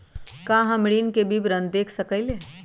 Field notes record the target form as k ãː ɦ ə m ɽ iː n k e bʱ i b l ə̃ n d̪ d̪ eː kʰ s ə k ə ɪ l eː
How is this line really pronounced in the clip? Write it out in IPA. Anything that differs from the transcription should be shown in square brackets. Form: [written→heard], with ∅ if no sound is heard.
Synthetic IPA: k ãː ɦ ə m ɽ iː n k e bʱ i b [l→ɾ] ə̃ n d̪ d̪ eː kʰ s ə k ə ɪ l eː